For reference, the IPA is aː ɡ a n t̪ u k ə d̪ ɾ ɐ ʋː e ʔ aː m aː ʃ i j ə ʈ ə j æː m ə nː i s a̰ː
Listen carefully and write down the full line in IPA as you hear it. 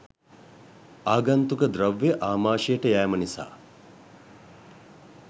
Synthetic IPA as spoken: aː ɡ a n t̪ u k ə d̪ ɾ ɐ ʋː e ʔ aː m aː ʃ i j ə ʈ ə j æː m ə n i s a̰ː